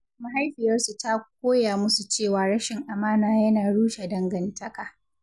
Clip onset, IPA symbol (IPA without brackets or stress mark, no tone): m